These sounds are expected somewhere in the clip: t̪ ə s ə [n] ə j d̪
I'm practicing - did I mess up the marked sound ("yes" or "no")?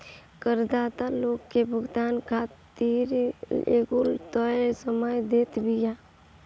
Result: yes